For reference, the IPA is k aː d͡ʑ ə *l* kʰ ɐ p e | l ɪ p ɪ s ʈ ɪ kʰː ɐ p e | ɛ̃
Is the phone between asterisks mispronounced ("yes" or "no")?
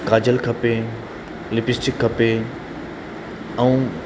no